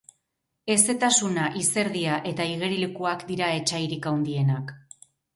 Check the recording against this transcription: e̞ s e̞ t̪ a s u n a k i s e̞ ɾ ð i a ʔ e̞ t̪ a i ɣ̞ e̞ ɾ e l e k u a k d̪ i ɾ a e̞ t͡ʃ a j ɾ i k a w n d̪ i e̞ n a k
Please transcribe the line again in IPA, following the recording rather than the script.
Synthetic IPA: e̞ s e̞ t̪ a s u n a ʔ i s e̞ ɾ ð i a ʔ e̞ t̪ a i ɣ̞ e̞ ɾ i l e k u a k d̪ i ɾ a e̞ t͡ʃ a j ɾ i k a w n d̪ i e̞ n a k

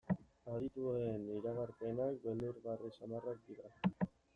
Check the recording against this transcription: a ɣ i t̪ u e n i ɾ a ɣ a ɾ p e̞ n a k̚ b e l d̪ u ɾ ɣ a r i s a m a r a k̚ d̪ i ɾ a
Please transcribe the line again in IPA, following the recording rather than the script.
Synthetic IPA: a ð i t̪ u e n i ɾ a ɣ a ɾ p e̞ n a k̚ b e l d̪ u ɾ ɣ a r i s a m a r a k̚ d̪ i ɾ a

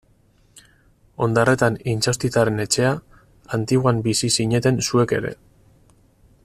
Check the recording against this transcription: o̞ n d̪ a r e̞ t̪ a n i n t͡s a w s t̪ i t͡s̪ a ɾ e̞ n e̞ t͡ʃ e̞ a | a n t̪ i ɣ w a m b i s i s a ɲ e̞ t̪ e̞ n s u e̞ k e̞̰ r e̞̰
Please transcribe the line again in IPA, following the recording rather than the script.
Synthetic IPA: o̞ n d̪ a r e̞ t̪ a n i n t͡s a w s t̪ i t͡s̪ a ɾ e̞ n e̞ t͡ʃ e̞ a | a n t̪ i ɣ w a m b i s i s i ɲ e̞ t̪ e̞ n s u e̞ k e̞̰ ɾ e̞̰

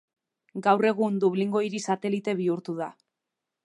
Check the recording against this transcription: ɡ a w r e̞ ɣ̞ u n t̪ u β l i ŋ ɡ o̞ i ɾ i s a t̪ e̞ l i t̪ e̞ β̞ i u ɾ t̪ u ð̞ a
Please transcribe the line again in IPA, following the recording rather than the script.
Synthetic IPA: ɡ a w r e̞ ɣ̞ u n d̪ u β l i ŋ ɡ o̞ i ɾ i s a t̪ e̞ l i t̪ e̞ β̞ i u ɾ t̪ u ð̞ a

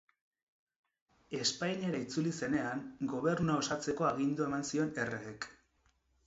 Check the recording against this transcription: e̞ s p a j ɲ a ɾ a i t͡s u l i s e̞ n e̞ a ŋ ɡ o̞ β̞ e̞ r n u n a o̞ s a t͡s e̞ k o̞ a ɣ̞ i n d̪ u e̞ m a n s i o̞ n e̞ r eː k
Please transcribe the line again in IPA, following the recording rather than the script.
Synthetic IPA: e̞ s p a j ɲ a ɾ a i t͡s u l i s e̞ n e̞ a ŋ ɡ o̞ β̞ e̞ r n u n a o̞ s a t͡s e̞ k o̞ a ɣ̞ i n d̪ u e̞ m a n s i o̞ n e̞ r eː k

